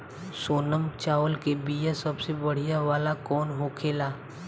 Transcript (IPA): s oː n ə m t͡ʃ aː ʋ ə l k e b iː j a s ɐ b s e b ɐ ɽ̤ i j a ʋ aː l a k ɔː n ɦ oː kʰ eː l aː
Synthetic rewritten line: s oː n ə m t͡ʃ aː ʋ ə l k e b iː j a s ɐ b s e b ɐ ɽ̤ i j a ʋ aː l a k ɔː n ɦ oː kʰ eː l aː